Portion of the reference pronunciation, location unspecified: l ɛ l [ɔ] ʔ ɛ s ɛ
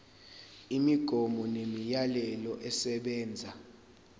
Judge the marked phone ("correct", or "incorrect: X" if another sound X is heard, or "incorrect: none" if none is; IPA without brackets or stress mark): correct